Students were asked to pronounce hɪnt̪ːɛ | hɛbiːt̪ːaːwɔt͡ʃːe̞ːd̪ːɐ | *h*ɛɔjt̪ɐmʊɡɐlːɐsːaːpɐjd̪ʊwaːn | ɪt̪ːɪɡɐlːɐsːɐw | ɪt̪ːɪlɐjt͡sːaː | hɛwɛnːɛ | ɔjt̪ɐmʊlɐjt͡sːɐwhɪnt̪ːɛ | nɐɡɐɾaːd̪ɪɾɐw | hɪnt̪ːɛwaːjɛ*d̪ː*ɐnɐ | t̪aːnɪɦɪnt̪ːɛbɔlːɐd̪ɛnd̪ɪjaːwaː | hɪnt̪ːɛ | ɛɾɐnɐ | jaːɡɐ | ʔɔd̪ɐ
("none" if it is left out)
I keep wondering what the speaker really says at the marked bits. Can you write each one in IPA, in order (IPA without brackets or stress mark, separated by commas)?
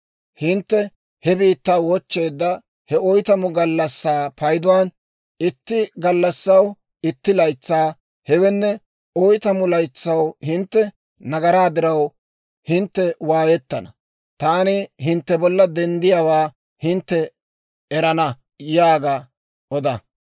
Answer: h, t̪ː